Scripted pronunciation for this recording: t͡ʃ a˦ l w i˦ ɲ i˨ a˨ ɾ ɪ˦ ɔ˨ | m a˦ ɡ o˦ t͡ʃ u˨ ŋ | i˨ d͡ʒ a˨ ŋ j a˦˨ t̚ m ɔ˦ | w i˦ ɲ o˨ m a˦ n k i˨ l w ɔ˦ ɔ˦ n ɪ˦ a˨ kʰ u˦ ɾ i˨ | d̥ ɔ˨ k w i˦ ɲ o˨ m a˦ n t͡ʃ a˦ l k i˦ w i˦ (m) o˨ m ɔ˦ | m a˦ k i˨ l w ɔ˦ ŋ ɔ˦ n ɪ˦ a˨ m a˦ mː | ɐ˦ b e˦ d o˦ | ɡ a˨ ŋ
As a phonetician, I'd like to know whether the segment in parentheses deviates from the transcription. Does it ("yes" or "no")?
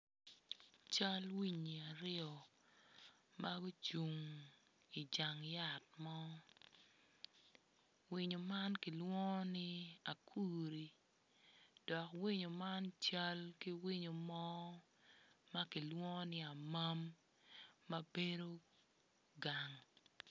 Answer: yes